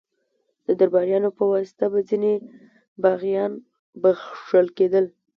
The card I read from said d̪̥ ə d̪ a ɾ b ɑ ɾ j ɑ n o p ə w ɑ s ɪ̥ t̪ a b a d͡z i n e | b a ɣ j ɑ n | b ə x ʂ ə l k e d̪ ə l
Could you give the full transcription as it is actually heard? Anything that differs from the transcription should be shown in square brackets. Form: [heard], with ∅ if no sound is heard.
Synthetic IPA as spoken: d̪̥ ə d̪ a ɾ b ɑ ɾ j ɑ n o p ə w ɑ s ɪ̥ t̪ a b a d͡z i n e | b a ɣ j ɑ n | b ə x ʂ ə l k e d̪ ə l